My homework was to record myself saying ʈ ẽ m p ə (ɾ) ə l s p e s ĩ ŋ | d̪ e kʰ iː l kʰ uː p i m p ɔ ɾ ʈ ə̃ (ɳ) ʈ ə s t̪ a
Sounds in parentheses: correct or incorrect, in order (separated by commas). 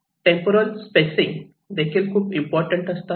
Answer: correct, correct